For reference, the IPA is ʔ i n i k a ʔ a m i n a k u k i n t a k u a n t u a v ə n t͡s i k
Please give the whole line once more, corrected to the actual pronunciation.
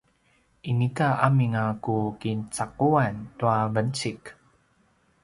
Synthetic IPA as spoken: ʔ i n i k a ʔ a m i ŋ a k u k i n t͡s a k u a n t u a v ə n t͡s i k